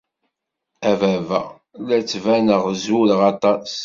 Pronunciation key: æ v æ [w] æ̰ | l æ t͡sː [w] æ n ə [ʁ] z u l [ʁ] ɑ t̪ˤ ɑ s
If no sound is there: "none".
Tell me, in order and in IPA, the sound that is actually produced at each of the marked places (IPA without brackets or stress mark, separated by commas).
v, v, ʁ, ʁ